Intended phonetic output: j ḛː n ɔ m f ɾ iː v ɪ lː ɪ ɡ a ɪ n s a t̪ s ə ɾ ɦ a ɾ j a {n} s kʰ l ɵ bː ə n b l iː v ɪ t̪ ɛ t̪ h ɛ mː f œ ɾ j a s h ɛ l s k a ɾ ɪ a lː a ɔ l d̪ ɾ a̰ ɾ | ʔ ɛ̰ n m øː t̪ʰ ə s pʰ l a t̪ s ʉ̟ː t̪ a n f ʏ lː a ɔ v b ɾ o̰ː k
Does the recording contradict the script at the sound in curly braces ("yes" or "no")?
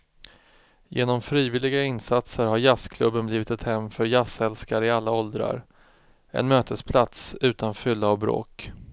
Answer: yes